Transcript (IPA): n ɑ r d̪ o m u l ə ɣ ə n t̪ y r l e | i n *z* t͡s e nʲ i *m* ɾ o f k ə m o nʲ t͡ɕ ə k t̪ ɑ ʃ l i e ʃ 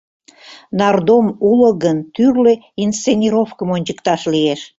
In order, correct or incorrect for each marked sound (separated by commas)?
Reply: incorrect, incorrect